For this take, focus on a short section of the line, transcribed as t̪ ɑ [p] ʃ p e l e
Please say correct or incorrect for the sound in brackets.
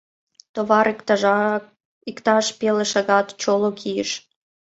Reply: incorrect